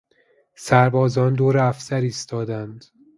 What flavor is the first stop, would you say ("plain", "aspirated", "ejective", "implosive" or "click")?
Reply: plain